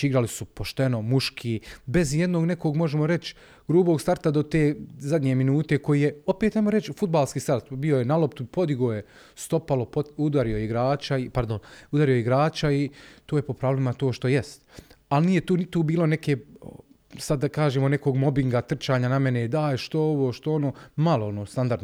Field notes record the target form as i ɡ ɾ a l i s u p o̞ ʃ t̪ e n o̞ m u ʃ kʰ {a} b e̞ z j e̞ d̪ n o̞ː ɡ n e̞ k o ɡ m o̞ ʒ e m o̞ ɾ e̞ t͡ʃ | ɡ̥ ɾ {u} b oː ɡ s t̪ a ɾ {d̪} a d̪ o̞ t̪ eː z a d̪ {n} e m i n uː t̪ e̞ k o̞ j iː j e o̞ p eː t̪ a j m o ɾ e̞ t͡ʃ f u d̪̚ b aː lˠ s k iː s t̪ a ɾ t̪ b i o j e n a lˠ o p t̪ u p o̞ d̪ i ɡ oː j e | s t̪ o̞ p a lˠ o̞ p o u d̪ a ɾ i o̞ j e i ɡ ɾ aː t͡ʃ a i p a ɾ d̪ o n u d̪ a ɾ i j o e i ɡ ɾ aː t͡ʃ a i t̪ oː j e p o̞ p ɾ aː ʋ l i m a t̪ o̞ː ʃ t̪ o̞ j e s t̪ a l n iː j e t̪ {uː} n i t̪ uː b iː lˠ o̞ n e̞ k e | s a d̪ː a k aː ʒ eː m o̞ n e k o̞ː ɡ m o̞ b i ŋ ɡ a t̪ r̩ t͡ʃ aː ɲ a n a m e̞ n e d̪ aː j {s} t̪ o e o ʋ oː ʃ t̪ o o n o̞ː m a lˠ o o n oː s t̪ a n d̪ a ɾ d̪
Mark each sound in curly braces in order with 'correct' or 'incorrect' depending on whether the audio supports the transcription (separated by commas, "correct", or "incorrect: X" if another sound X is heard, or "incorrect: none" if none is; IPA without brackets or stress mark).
incorrect: i, incorrect: uː, incorrect: t̪, incorrect: ɲ, correct, incorrect: ʃ